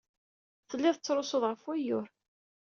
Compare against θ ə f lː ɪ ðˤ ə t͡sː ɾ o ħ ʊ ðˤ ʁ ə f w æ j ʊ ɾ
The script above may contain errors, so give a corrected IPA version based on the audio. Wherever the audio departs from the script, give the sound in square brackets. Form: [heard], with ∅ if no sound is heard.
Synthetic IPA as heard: θ ə [∅] lː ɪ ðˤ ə t͡sː ɾ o [s] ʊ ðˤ ʁ ə f w æ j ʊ ɾ